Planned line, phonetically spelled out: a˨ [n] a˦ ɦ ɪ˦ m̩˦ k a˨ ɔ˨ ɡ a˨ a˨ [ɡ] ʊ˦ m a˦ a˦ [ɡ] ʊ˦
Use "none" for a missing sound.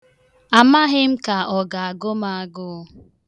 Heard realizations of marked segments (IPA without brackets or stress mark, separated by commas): m, ɡ, ɡ